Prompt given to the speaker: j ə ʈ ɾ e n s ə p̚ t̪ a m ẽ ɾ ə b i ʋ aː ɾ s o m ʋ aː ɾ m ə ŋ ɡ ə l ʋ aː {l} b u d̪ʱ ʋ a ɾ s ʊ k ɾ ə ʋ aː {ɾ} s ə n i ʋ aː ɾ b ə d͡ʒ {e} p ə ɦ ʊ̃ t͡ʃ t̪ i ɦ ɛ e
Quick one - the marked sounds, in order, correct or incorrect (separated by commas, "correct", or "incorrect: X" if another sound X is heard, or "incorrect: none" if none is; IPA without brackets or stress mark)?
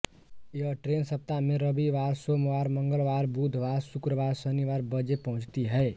incorrect: ɾ, correct, correct